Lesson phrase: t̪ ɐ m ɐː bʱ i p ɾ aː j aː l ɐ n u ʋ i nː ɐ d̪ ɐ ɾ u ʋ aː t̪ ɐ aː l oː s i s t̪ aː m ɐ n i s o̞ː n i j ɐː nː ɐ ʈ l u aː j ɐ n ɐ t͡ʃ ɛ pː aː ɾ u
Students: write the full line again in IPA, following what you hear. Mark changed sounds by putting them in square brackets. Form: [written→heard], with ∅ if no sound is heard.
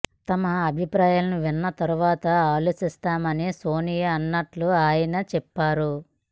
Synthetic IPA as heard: t̪ ɐ m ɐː bʱ i p ɾ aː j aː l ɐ n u ʋ i nː ɐ [d̪→t̪] ɐ ɾ u ʋ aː t̪ ɐ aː l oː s i s t̪ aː m ɐ n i s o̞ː n i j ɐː nː ɐ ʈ l u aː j ɐ n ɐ t͡ʃ ɛ pː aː ɾ u